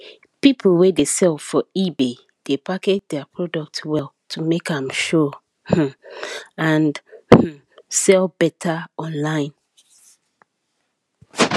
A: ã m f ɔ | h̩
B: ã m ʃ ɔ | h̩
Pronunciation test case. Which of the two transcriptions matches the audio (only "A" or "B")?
B